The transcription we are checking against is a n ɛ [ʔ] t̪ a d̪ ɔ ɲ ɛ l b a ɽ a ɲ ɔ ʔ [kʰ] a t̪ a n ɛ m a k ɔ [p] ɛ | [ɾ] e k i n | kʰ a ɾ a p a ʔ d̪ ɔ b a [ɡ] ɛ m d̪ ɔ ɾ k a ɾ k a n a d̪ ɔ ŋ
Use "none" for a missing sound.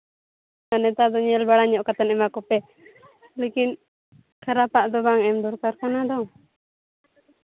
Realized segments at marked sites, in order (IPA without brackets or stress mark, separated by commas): none, k, p, l, ŋ